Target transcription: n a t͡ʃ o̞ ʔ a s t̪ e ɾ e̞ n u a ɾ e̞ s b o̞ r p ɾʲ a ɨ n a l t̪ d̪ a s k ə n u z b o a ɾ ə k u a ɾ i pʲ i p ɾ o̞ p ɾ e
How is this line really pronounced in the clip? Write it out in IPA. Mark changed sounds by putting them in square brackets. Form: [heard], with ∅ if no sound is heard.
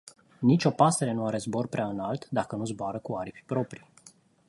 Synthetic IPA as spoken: n [i] t͡ʃ o̞ [p] a s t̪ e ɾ e̞ n u a ɾ e̞ [z] b o̞ r p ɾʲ a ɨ n a l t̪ d̪ a [∅] k ə n u z b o a ɾ ə k u a ɾ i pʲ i p ɾ o̞ p ɾ [i]